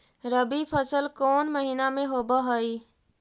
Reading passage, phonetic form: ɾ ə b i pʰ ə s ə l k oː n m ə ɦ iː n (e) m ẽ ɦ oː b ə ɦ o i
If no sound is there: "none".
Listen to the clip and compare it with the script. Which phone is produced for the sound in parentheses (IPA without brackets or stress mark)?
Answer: a